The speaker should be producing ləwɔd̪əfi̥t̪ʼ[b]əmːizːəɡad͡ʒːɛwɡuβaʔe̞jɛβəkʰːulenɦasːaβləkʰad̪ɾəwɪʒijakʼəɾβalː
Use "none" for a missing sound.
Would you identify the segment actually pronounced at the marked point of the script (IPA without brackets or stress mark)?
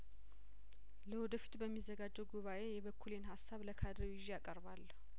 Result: b